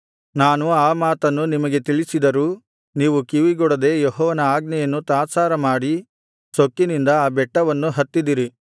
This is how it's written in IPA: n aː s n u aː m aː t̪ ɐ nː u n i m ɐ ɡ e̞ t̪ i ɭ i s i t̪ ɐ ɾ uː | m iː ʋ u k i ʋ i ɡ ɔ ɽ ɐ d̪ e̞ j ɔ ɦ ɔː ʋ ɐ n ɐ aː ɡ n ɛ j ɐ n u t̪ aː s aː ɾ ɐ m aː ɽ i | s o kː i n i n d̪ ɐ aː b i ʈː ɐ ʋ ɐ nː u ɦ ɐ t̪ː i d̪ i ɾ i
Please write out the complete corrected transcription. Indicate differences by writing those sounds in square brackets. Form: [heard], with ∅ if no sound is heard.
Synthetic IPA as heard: n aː [∅] n u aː m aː t̪ ɐ nː u n i m ɐ ɡ e̞ t̪ i ɭ i s i [d̪] ɐ ɾ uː | [n] iː ʋ u k i ʋ i ɡ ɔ ɽ ɐ d̪ e̞ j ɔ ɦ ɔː ʋ ɐ n ɐ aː ɡ n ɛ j ɐ [nː] u t̪ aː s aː ɾ ɐ m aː ɽ i | s o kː i n i n d̪ ɐ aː b [ɛ] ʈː ɐ ʋ ɐ nː u ɦ ɐ t̪ː i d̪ i ɾ i